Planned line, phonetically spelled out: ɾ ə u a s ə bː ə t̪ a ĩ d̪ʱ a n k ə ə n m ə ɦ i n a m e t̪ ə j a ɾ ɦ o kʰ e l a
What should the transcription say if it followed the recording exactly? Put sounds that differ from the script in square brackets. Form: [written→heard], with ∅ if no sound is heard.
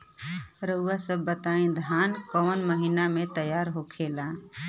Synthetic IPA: ɾ ə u a s ə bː ə t̪ a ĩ d̪ʱ a n k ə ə n m ə ɦ i n a m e t̪ ə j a ɾ ɦ o kʰ e l a